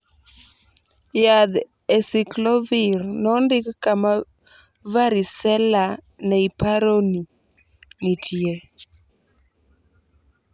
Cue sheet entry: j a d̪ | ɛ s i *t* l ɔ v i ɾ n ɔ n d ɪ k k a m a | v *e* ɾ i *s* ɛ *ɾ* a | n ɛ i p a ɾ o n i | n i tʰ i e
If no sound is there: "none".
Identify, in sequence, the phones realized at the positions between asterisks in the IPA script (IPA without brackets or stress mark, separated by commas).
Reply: k, a, s, l